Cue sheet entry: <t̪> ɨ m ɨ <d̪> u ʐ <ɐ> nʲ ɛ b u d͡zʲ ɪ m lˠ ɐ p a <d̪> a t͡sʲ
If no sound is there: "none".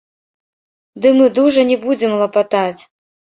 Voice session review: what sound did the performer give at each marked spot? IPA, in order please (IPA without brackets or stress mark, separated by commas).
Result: d̪, d̪, ɐ, t̪